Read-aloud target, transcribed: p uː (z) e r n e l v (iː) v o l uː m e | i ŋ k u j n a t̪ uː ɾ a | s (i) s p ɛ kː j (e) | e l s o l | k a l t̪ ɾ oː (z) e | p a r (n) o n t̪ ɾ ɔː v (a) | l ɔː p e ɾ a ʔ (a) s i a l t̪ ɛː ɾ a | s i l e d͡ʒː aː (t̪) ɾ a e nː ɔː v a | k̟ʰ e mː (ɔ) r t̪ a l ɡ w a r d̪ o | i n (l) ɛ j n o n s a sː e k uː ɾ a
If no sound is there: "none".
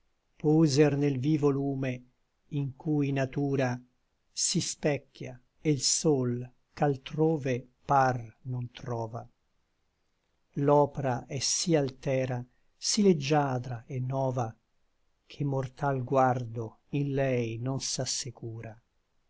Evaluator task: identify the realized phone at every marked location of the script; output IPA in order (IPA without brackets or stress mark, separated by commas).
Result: z, iː, i, a, v, n, a, ɛ, d̪, o, l